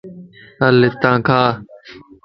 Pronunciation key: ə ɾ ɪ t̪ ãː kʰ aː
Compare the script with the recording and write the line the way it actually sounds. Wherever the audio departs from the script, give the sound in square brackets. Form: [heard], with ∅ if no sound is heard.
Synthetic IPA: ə [l] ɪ t̪ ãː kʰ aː